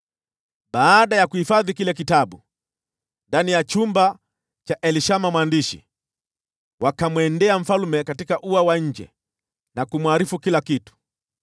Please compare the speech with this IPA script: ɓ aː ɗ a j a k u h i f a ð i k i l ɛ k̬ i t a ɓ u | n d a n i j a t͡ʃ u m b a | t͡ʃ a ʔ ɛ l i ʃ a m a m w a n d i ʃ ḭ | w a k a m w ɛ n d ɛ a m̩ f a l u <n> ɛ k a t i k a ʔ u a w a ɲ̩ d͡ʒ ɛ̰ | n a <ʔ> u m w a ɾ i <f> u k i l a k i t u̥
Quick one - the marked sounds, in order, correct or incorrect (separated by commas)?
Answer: incorrect, incorrect, correct